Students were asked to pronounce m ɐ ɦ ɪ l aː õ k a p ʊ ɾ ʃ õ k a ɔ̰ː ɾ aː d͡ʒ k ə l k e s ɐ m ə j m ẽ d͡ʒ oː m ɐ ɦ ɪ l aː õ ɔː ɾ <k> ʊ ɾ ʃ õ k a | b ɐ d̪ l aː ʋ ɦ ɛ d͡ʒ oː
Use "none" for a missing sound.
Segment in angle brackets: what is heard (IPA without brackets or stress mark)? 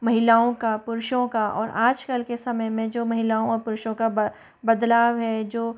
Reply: p